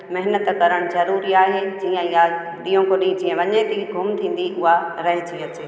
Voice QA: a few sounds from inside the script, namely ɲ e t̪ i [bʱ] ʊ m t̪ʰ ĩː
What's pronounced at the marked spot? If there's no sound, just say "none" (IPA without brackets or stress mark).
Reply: ɡʱ